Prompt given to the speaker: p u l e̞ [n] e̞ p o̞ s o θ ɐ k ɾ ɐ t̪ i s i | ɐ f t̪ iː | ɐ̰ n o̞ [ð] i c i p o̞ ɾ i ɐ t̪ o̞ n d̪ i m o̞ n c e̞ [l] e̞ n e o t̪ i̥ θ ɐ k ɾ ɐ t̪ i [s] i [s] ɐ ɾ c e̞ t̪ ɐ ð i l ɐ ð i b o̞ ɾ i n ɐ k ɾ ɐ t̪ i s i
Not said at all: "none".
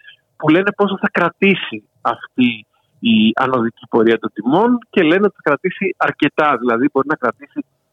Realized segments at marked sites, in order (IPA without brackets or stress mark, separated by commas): n, ð, l, s, none